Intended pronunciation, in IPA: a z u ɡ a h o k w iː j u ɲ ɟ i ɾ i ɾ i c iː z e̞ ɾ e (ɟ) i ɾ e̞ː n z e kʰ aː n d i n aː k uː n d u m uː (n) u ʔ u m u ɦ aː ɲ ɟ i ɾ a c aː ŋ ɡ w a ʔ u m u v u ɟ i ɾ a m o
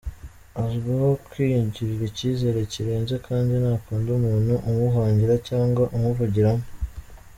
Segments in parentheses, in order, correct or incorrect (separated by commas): incorrect, correct